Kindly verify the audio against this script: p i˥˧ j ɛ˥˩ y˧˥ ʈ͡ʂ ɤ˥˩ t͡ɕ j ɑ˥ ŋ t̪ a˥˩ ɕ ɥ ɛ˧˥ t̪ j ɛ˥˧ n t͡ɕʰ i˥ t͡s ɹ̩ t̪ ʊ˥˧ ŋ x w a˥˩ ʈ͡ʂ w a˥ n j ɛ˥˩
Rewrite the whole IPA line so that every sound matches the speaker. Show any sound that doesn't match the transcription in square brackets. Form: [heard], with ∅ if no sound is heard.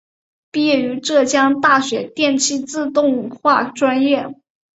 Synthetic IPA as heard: p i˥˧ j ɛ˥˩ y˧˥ ʈ͡ʂ ɤ˥˩ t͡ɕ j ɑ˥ ŋ t̪ a˥˩ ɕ ɥ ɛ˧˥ t̪ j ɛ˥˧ n t͡ɕʰ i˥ t͡s ɹ̩ t̪ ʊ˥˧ ŋ x w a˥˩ ʈ͡ʂ w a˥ n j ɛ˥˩